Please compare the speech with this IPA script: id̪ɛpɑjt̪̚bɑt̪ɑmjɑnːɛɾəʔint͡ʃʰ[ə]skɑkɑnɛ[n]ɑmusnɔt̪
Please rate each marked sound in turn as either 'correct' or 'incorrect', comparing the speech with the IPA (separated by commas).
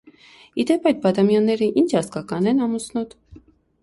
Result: incorrect, correct